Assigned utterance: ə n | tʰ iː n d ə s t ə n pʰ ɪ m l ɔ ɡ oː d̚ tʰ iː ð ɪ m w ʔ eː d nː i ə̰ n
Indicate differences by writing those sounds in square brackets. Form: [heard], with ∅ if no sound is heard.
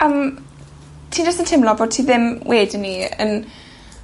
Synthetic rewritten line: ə [m] | tʰ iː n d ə s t ə n [tʰ] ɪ m l ɔ [b] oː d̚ tʰ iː ð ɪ m w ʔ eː d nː i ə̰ n